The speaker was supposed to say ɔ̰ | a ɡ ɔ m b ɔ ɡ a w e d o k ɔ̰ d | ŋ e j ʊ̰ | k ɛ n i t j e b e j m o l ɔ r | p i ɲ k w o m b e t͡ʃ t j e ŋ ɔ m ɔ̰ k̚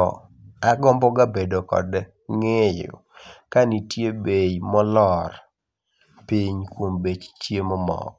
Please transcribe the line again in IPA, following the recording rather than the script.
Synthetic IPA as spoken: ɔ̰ | a ɡ ɔ m b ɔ ɡ a b e d o k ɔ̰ d | ŋ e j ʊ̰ | k a n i t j e b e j m ɔ l ɔ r | p i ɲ k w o m b e t͡ʃ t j e m ɔ m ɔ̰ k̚